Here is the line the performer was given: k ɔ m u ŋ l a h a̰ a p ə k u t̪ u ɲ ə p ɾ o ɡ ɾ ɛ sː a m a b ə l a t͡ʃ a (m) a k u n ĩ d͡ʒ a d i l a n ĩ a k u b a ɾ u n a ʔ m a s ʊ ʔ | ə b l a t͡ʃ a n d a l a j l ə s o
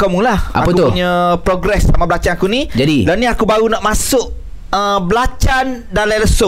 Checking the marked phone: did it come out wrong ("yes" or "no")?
yes